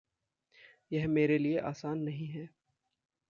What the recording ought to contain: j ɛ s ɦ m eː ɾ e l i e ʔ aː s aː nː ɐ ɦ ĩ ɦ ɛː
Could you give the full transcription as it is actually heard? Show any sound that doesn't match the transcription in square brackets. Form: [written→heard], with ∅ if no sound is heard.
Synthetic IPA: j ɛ [s→∅] ɦ m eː ɾ e l i e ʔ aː s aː nː ɐ ɦ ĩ ɦ ɛː